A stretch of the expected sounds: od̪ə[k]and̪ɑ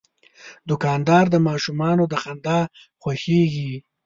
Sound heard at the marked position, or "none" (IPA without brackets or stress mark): x